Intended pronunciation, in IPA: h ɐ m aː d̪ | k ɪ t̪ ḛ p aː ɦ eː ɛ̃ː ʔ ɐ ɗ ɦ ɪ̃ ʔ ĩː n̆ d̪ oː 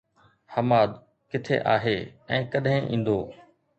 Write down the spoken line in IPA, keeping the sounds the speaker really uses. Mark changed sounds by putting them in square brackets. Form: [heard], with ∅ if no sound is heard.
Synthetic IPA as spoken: h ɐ m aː d̪ | k ɪ [t̪ʰ] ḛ [ʔ] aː ɦ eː ɛ̃ː [k] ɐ ɗ ɦ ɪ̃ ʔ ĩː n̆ d̪ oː